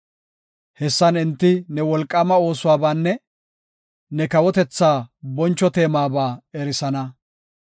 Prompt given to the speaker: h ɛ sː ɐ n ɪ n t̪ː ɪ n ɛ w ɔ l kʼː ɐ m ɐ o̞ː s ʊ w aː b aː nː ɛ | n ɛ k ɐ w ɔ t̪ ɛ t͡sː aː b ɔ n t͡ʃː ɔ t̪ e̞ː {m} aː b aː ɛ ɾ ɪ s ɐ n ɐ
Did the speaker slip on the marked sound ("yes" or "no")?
no